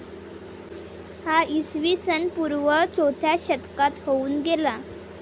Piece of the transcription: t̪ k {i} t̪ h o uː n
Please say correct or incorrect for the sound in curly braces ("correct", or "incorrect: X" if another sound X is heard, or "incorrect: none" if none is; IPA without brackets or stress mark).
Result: incorrect: a